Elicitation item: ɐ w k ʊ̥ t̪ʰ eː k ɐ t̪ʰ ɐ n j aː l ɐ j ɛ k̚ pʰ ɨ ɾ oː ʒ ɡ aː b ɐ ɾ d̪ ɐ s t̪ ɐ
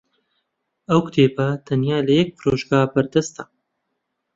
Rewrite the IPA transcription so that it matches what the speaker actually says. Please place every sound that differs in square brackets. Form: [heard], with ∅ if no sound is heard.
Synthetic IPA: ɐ w k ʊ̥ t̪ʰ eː [p] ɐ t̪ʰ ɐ n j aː l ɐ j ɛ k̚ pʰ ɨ ɾ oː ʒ ɡ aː b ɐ ɾ d̪ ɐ s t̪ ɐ

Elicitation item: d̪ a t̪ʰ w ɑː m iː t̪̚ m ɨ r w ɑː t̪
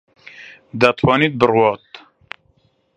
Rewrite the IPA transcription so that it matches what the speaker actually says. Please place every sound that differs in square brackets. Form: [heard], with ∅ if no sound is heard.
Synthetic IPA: d̪ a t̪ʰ w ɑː [n] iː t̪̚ [b] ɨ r w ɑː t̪

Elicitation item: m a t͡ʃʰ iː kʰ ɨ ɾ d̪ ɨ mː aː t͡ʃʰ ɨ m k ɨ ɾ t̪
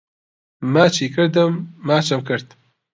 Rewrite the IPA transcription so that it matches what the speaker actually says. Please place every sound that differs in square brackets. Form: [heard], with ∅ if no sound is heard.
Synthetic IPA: m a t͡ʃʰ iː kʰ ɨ ɾ d̪ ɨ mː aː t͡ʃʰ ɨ m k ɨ ɾ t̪

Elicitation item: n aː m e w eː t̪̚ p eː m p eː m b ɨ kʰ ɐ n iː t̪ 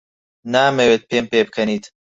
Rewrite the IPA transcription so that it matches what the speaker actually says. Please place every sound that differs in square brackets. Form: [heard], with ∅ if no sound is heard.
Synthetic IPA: n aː m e w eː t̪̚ p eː m p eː [∅] b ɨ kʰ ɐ n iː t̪

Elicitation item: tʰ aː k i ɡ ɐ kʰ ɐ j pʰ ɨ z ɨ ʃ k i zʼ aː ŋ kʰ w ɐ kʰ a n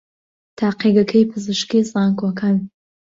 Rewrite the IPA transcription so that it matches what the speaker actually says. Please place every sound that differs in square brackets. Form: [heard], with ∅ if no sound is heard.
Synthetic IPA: tʰ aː [q] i ɡ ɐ kʰ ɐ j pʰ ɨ z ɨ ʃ k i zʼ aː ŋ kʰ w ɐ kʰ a n

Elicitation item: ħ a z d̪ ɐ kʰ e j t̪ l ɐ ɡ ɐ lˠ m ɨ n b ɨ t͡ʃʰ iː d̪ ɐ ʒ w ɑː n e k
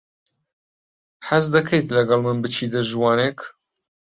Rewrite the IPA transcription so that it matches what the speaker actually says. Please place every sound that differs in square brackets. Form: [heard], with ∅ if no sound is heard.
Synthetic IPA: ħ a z d̪ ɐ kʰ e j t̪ l ɐ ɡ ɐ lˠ m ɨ n b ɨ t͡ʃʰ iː d̪ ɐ ʒ w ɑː n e k

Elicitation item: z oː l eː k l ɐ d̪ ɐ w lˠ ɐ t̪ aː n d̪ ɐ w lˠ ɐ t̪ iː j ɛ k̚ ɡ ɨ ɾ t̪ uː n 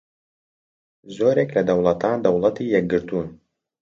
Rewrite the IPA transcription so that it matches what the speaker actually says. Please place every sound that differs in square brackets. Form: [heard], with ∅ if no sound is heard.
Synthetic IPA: z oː [ɾ] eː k l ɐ d̪ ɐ w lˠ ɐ t̪ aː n d̪ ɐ w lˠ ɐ t̪ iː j ɛ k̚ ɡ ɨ ɾ t̪ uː n

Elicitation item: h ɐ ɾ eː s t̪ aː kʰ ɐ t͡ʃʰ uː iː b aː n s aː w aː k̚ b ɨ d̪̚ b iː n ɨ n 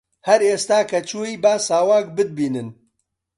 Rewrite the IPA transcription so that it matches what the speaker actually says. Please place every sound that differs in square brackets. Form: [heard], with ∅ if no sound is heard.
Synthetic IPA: h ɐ ɾ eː s t̪ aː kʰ ɐ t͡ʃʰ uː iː b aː [∅] s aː w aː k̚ b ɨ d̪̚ b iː n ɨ n

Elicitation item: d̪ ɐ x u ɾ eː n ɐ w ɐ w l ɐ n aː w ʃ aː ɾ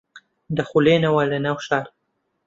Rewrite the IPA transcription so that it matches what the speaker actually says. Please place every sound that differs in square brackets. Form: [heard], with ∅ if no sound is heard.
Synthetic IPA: d̪ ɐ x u [l] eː n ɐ w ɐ [∅] l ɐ n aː w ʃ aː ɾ

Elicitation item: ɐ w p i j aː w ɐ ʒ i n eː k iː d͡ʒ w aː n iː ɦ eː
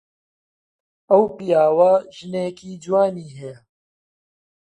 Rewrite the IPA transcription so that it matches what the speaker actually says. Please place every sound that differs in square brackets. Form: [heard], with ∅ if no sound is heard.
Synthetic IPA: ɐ w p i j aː w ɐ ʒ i n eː k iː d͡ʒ w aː n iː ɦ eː

